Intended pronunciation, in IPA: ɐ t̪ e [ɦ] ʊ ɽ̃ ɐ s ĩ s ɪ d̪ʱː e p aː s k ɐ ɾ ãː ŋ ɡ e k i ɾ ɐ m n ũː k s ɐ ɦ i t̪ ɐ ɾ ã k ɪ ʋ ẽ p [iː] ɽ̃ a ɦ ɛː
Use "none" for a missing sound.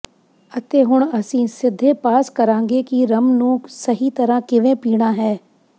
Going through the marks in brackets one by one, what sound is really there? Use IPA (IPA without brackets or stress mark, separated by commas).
ɦ, iː